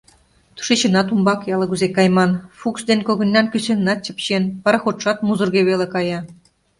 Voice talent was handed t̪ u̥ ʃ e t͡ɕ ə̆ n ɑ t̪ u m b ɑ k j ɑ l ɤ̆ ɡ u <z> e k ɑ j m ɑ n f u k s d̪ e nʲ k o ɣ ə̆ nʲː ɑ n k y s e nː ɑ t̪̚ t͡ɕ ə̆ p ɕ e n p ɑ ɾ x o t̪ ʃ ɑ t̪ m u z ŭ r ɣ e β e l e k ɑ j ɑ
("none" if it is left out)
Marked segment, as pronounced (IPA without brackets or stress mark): z